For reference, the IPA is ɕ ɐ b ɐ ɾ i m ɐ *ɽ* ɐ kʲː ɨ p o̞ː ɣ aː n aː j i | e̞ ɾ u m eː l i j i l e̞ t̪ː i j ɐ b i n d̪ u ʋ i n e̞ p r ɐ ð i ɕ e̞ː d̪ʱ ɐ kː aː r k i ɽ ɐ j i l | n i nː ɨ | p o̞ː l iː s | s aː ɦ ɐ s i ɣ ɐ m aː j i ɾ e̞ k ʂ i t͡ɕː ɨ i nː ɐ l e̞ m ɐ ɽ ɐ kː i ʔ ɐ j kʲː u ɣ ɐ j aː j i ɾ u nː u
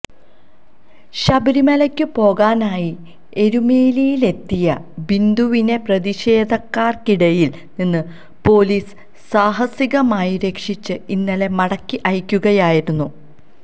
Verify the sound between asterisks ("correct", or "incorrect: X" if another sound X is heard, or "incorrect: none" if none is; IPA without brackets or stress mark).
incorrect: l